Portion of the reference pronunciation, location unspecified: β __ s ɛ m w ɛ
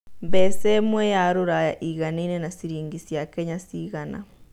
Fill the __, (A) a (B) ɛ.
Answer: B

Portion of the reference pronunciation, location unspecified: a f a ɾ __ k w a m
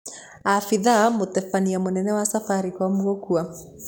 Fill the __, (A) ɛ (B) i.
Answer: B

